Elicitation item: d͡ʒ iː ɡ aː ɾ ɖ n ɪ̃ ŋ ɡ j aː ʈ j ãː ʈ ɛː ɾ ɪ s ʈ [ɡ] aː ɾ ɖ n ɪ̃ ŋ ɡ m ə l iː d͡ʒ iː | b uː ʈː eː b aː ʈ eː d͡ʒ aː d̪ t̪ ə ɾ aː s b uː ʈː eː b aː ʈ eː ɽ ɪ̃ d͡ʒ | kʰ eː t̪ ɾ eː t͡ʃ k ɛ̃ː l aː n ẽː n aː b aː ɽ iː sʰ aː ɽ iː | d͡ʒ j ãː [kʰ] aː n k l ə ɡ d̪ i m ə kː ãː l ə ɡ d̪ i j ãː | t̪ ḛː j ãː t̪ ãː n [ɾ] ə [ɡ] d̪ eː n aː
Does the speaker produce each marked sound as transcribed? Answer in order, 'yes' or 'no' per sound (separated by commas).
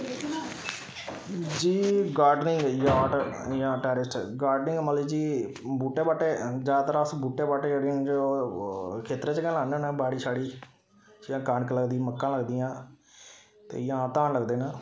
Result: yes, no, no, yes